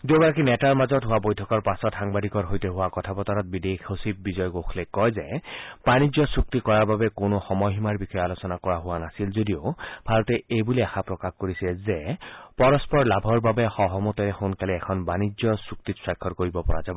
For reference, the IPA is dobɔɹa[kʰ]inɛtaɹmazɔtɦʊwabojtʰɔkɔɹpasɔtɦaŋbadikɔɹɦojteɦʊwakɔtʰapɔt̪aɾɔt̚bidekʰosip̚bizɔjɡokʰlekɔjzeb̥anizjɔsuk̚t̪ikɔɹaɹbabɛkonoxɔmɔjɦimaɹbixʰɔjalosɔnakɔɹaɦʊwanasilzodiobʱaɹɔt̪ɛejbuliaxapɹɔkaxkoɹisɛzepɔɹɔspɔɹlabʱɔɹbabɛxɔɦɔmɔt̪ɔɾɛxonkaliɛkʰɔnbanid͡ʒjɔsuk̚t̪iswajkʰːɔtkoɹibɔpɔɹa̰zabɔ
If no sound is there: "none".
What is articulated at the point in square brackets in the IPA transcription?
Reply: k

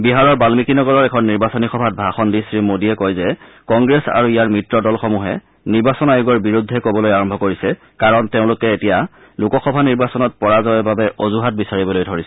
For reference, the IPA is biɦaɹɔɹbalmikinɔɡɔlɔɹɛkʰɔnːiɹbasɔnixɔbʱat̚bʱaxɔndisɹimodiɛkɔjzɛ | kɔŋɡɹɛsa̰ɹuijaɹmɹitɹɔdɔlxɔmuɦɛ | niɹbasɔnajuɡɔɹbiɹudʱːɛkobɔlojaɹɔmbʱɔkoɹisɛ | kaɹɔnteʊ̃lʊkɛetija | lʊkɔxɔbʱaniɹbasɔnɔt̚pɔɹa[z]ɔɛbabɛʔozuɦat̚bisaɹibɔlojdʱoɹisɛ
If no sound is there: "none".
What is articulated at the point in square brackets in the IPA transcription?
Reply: z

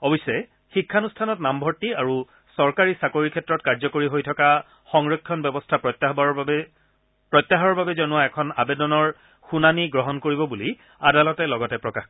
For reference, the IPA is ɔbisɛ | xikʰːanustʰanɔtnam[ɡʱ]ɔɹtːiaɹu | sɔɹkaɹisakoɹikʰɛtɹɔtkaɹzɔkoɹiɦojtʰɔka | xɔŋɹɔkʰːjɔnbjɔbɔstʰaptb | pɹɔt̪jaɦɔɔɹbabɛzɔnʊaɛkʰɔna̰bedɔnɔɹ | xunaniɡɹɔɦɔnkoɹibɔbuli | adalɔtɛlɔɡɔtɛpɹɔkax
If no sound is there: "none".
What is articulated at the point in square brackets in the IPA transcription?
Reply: bʱ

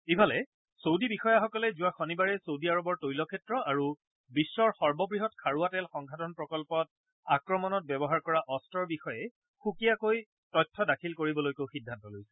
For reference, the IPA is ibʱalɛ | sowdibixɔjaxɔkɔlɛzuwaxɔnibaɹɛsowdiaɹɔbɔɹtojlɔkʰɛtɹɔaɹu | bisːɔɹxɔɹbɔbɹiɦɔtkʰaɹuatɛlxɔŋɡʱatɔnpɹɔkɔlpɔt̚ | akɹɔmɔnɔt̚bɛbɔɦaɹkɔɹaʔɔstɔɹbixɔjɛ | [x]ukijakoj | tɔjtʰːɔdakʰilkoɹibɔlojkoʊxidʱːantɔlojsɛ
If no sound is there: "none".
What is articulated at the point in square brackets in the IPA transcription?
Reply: x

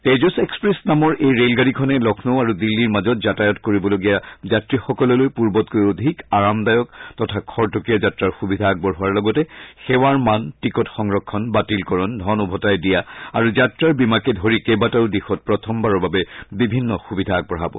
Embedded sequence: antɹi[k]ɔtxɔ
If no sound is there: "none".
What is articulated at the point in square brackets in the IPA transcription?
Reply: k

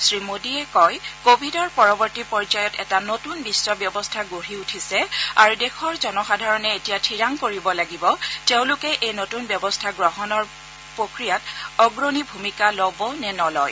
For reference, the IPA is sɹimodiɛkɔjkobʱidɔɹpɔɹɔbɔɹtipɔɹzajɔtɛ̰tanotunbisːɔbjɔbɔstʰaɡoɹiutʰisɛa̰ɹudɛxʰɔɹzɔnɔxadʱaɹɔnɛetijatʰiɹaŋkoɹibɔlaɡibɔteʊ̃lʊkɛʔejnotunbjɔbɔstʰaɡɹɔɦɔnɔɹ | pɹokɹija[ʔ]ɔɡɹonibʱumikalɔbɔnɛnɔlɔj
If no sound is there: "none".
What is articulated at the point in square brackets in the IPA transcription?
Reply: t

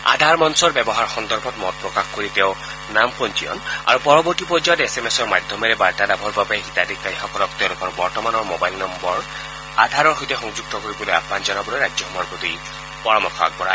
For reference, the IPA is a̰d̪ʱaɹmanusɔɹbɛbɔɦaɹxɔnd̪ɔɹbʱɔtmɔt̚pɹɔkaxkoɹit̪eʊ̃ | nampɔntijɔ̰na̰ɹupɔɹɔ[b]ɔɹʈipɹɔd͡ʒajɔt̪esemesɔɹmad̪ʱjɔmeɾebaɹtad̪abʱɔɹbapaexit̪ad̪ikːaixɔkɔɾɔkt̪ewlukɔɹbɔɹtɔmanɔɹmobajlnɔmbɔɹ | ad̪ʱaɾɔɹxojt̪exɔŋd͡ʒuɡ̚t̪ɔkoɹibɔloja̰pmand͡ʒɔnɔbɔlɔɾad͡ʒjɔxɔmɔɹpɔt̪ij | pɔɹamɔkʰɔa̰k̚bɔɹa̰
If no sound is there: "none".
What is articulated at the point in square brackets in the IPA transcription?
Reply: b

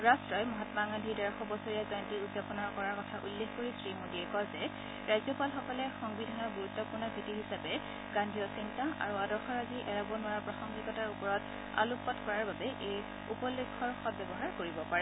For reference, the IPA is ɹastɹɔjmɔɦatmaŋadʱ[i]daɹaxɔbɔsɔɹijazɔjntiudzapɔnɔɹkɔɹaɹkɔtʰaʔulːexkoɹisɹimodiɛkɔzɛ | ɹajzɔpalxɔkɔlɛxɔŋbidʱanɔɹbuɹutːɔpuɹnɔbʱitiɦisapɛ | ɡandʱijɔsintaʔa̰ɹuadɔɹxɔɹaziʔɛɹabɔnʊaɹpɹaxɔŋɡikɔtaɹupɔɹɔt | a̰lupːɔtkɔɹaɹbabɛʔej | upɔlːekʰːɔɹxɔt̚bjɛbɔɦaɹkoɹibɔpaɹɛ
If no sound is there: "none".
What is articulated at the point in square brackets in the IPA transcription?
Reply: i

